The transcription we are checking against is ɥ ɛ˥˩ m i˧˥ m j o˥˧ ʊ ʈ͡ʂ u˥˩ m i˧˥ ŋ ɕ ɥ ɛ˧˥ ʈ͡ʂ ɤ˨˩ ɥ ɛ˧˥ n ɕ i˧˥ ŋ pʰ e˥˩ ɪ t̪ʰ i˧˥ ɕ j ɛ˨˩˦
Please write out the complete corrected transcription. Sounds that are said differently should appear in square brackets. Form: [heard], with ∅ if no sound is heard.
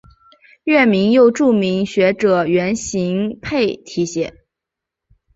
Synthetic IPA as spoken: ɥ ɛ˥˩ m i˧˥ [ŋ] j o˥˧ ʊ ʈ͡ʂ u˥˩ m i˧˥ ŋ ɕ ɥ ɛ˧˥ ʈ͡ʂ ɤ˨˩ ɥ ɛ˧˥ n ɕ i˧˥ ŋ pʰ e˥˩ ɪ t̪ʰ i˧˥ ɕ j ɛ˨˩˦